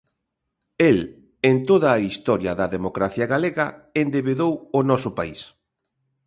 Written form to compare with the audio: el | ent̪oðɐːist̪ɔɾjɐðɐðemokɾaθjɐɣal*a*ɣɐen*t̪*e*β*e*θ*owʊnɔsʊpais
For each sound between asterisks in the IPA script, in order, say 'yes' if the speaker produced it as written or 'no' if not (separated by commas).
no, no, yes, no